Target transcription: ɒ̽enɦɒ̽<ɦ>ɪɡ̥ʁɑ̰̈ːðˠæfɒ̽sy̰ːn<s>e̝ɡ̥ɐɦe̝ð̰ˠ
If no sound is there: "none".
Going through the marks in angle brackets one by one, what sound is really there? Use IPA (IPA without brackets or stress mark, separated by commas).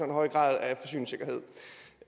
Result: none, s